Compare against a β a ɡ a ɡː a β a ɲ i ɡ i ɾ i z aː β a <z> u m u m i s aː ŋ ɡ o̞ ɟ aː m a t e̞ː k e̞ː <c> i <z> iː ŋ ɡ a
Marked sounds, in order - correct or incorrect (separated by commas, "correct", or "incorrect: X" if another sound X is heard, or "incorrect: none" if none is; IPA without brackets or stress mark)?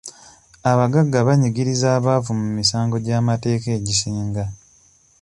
incorrect: v, incorrect: ɟ, incorrect: s